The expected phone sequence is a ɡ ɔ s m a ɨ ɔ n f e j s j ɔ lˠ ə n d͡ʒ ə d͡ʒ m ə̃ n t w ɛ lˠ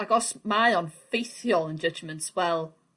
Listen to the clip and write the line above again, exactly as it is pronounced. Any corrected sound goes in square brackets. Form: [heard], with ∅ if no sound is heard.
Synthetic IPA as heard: a ɡ ɔ s m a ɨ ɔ n f e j [θ] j ɔ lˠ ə n d͡ʒ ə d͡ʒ m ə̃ n t w ɛ lˠ

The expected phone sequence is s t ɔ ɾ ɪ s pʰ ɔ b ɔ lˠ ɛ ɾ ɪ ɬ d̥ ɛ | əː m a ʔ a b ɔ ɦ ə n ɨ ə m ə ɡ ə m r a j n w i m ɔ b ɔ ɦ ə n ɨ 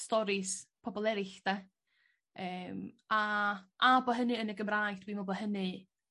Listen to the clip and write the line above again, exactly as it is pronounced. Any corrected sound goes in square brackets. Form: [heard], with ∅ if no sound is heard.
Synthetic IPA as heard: s t ɔ ɾ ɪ s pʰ ɔ b ɔ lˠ ɛ ɾ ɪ ɬ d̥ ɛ | əː m a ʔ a b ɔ ɦ ə n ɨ ə [n] ə ɡ ə m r a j [d] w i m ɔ b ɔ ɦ ə n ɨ

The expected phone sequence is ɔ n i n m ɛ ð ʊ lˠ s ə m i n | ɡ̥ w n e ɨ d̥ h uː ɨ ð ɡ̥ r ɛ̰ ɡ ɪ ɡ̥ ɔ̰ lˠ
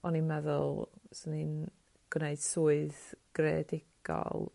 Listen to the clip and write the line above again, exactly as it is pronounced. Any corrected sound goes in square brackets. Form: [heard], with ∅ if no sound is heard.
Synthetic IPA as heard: ɔ n i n m ɛ ð ʊ lˠ s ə [n] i n | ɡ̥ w n e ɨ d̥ [s] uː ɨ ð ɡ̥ r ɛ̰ [d] ɪ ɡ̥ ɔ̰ lˠ

